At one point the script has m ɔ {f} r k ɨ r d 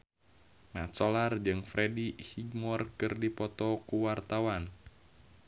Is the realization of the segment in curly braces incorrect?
yes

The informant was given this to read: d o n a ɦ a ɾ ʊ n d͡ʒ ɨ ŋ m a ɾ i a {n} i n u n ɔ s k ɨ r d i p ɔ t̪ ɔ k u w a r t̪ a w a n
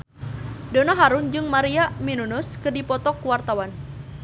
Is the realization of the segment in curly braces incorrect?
yes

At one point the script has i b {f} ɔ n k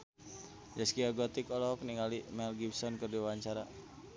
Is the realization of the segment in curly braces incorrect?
yes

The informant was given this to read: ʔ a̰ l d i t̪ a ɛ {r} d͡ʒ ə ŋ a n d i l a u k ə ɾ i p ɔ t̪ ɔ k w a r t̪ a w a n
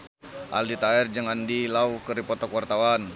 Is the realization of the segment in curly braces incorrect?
no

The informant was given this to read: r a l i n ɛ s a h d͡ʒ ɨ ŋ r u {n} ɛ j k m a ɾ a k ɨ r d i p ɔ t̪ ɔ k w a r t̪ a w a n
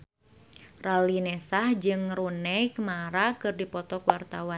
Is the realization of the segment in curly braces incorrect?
no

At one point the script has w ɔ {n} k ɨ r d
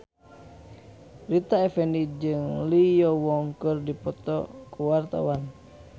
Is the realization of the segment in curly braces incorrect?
yes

